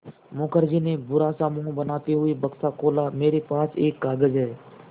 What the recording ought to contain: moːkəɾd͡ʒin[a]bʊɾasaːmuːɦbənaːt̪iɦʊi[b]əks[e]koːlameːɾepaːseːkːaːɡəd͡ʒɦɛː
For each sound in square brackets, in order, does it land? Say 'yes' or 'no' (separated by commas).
no, yes, no